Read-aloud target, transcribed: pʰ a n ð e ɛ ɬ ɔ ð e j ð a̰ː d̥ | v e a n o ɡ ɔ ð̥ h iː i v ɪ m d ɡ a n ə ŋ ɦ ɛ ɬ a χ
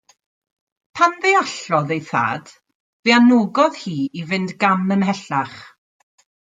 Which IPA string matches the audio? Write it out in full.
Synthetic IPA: pʰ a n ð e a ɬ ɔ ð e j θ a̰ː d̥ | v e a n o ɡ ɔ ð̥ h iː i v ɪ n d ɡ a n ə n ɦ ɛ ɬ a χ